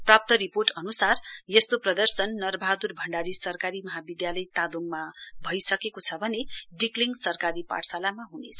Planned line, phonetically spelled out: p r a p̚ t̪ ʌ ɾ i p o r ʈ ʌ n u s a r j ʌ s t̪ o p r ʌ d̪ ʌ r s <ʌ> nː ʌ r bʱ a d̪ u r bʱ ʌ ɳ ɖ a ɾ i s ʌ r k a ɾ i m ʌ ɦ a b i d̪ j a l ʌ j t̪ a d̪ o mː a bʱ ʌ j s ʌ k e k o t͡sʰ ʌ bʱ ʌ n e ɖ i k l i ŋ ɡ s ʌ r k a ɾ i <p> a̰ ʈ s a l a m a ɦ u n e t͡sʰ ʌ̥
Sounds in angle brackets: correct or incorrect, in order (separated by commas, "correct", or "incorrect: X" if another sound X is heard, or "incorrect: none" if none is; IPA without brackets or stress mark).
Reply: correct, correct